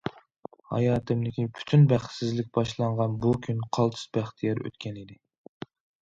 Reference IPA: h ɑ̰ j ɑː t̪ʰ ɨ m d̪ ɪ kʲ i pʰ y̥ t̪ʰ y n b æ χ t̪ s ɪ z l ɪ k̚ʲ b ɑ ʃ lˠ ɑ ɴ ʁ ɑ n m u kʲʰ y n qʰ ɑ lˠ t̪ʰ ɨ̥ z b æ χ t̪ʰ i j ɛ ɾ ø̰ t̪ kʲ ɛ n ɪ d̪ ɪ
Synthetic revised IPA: h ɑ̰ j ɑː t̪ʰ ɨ m d̪ ɪ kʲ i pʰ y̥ t̪ʰ y n b æ χ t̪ s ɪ z l ɪ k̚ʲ b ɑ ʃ lˠ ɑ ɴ ʁ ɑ n b u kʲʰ y n qʰ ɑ lˠ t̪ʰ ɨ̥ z b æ χ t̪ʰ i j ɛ ɾ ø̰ t̪ kʲ ɛ n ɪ d̪ ɪ